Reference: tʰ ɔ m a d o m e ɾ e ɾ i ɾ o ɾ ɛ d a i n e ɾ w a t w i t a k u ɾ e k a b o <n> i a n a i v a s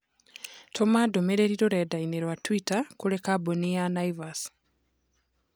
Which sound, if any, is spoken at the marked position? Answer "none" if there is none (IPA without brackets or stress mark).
n